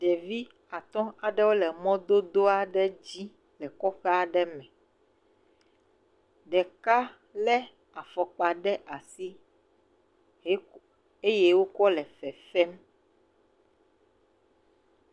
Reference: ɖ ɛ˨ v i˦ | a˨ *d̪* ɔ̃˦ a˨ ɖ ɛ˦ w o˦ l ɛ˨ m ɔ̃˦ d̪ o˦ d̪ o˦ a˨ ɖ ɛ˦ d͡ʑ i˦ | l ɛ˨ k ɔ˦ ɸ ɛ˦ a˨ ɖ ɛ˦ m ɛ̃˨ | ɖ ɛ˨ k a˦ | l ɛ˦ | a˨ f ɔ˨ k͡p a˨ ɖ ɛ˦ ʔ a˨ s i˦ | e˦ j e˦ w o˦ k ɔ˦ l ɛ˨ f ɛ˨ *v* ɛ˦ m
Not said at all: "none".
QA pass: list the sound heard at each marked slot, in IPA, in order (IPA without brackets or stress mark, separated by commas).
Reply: t̪, f